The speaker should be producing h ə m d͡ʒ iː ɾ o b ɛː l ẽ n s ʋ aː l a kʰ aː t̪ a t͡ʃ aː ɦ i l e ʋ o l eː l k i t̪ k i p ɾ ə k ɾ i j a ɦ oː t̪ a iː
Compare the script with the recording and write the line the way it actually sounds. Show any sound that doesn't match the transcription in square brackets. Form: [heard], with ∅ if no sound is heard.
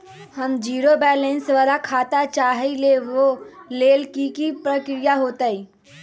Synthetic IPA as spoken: h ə m d͡ʒ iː ɾ o b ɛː l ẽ n s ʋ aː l a kʰ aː t̪ a t͡ʃ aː ɦ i l e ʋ o l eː l k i [∅] k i p ɾ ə k ɾ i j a ɦ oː t̪ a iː